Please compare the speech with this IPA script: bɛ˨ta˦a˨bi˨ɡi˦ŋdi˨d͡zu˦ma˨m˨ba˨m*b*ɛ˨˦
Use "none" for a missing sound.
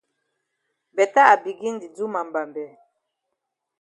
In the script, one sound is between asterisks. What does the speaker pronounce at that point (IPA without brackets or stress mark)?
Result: b